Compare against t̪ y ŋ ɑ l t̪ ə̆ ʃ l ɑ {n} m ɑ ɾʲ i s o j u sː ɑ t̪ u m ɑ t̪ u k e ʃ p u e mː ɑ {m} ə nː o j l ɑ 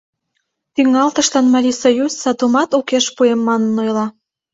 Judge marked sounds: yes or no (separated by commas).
yes, no